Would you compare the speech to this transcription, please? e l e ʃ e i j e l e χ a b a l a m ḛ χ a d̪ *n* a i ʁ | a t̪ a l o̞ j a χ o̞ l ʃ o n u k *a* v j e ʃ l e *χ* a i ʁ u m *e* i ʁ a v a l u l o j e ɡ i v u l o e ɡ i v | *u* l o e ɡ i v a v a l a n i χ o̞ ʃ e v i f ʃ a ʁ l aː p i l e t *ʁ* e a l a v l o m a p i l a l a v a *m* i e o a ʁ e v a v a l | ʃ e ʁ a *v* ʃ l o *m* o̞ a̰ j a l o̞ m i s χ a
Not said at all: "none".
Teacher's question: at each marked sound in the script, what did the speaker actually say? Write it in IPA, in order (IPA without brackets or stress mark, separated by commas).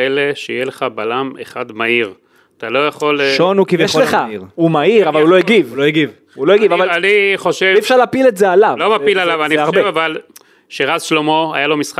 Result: m, i, χ, a, u, z, n, z, m